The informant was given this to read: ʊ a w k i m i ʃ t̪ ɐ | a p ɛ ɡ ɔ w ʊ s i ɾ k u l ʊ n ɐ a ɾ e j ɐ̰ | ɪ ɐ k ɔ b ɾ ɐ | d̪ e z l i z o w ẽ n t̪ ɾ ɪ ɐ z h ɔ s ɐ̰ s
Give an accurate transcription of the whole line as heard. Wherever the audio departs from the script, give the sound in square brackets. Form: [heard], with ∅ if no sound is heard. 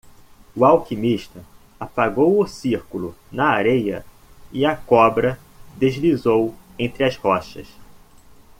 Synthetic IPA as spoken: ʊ a w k i m i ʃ t̪ ɐ | a p [a] ɡ [o] w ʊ s i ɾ k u l ʊ n ɐ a ɾ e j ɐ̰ | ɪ ɐ k ɔ b ɾ ɐ | d̪ e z l i z o w ẽ n t̪ ɾ ɪ ɐ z h ɔ [ʃ] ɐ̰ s

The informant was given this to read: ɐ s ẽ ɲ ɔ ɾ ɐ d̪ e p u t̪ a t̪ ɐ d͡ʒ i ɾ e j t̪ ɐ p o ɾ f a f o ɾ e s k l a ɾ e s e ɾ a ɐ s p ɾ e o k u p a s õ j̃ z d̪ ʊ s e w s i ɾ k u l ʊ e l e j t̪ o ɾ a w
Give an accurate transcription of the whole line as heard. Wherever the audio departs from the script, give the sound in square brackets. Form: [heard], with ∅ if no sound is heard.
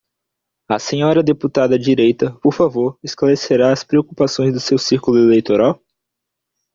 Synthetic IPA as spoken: ɐ s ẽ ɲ ɔ ɾ ɐ d̪ e p u t̪ a [d̪] ɐ d͡ʒ i ɾ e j t̪ ɐ p o ɾ f a [v] o ɾ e s k l a ɾ e s e ɾ a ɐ s p ɾ e o k u p a s õ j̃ z d̪ ʊ s e w s i ɾ k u l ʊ e l e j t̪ o ɾ a w

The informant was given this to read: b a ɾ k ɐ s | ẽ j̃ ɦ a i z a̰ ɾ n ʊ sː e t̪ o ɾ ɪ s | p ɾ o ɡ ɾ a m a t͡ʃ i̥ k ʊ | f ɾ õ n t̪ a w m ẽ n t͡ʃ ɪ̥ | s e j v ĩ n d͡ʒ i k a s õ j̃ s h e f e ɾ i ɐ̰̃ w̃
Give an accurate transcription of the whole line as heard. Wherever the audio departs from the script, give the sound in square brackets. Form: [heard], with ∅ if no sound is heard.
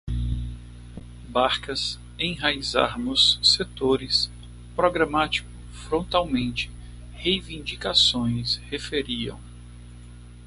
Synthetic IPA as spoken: b a ɾ k ɐ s | ẽ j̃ ɦ a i z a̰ ɾ n ʊ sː e t̪ o ɾ ɪ s | p ɾ o ɡ ɾ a m a t͡ʃ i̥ k ʊ | f ɾ õ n t̪ a w m ẽ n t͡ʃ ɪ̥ | [h] e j v ĩ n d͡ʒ i k a s õ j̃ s h e f e ɾ i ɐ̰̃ w̃

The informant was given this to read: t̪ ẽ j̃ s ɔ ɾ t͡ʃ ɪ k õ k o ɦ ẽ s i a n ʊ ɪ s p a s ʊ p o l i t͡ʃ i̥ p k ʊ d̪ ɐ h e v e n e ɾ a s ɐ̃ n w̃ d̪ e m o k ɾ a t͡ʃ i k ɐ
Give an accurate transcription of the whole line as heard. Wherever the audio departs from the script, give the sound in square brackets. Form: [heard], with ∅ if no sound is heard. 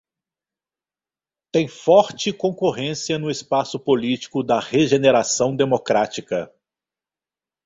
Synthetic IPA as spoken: t̪ ẽ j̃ [f] ɔ ɾ t͡ʃ ɪ k õ k o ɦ ẽ s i [ɐ] n ʊ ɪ s p a s ʊ p o l i t͡ʃ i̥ [∅] k ʊ d̪ ɐ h e [ʒ] e n e ɾ a s ɐ̃ [∅] w̃ d̪ e m o k ɾ a t͡ʃ i k ɐ

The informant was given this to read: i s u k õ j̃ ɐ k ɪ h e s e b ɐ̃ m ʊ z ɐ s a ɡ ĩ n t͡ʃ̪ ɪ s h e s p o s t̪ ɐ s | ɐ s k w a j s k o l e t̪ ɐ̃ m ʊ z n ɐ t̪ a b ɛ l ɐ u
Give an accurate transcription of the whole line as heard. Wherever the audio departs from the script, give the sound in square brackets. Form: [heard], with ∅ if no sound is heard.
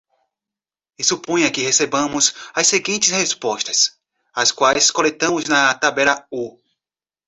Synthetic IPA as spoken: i s u [p] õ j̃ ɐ k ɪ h e s e b ɐ̃ m ʊ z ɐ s [e] ɡ ĩ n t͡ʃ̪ ɪ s h e s p [ɔ] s t̪ ɐ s | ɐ s k w a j s k o l e t̪ ɐ̃ m ʊ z n ɐ t̪ a b ɛ l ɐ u

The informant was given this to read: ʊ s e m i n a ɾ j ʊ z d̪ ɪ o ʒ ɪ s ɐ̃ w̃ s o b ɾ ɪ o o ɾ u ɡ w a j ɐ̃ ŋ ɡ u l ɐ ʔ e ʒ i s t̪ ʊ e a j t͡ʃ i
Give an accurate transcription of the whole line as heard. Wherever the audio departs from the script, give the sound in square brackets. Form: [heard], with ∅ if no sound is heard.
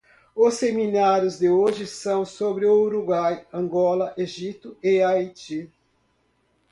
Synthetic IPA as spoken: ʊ s e m i n a ɾ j ʊ z d̪ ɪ o ʒ ɪ s ɐ̃ w̃ s o b ɾ ɪ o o ɾ u ɡ w a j ɐ̃ ŋ ɡ [ɔ] l ɐ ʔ e ʒ i [∅] t̪ ʊ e a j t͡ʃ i

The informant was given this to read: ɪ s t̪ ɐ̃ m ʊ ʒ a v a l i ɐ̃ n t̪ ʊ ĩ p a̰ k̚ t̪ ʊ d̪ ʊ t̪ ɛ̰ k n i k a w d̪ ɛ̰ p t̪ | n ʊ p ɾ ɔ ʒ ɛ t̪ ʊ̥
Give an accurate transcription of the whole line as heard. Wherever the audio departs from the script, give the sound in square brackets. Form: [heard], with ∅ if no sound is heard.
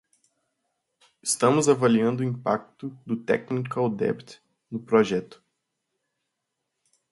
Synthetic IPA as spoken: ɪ s t̪ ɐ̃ m ʊ [z] a v a l i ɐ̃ n [d̪] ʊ ĩ p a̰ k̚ t̪ ʊ d̪ ʊ t̪ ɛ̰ k n i k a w d̪ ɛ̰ p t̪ | n ʊ p ɾ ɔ ʒ ɛ t̪ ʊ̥

